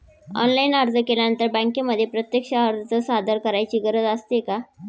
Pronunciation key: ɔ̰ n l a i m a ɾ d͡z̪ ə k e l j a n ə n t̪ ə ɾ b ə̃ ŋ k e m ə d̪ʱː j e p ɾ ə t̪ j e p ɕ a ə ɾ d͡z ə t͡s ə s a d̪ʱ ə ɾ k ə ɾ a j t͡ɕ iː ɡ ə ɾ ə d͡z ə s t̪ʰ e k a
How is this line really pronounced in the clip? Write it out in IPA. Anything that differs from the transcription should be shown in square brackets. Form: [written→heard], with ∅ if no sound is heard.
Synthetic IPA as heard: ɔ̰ n l a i [m→n] a ɾ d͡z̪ ə k e l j a n ə n t̪ ə ɾ b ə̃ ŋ k e m ə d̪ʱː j e p ɾ ə t̪ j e [p→k] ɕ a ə ɾ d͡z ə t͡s ə s a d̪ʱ ə ɾ k ə ɾ a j t͡ɕ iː ɡ ə ɾ ə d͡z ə s [t̪ʰ→t̪] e k a